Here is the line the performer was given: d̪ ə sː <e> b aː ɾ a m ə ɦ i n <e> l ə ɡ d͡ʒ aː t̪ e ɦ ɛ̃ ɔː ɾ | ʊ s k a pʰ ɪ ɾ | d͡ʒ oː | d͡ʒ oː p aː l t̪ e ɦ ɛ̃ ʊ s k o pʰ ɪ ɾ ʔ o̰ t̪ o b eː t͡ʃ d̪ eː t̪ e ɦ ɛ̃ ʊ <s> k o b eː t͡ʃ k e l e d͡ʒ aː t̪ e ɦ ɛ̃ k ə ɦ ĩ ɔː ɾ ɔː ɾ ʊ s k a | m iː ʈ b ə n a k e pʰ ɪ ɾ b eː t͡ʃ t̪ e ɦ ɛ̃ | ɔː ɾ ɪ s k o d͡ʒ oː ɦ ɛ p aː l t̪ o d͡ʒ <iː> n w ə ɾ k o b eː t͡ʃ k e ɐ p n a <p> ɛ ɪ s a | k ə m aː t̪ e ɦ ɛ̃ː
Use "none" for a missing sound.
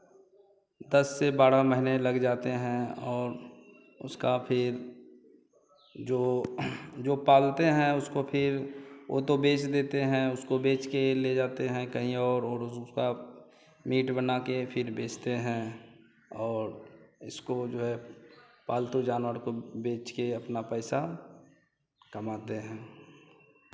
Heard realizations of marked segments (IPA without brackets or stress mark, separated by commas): e, e, s, aː, p